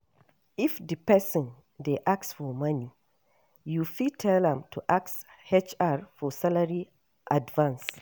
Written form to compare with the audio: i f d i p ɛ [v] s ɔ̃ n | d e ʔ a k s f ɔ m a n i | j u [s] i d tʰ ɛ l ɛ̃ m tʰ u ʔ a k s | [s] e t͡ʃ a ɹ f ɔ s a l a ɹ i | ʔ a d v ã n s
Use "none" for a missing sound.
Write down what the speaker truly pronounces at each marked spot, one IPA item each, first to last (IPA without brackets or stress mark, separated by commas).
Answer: none, f, h